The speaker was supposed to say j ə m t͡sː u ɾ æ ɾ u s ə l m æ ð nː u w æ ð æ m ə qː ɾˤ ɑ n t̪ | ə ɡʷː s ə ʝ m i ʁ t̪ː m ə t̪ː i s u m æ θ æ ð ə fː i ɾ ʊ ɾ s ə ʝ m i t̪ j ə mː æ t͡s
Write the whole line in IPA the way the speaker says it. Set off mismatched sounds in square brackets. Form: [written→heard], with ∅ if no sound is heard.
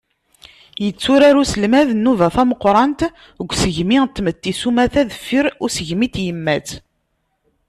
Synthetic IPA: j ə [m→∅] t͡sː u ɾ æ ɾ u s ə l m æ ð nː u [w→v] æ [ð→θ] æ m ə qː ɾˤ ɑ n t̪ | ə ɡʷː s ə ʝ m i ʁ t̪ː m ə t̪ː i s u m æ θ æ ð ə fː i ɾ ʊ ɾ s ə ʝ m i t̪ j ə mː æ t͡s